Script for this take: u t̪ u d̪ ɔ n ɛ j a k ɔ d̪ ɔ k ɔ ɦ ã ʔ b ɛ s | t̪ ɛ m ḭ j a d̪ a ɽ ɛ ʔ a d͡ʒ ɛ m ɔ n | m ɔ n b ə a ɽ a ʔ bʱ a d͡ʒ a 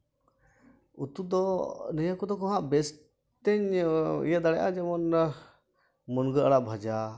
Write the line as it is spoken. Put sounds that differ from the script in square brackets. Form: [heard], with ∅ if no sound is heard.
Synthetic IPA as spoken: u t̪ u d̪ ɔ n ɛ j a k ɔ d̪ ɔ k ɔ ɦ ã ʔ b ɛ s | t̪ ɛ [ɲ] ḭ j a d̪ a ɽ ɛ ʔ a d͡ʒ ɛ m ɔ n | m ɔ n [ɡ] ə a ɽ a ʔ bʱ a d͡ʒ a